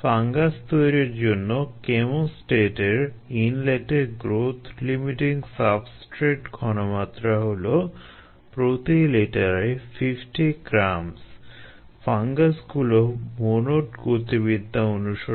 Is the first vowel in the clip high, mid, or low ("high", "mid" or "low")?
low